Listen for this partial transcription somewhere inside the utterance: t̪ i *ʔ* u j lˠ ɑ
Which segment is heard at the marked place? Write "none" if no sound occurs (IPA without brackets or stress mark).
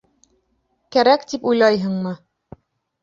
p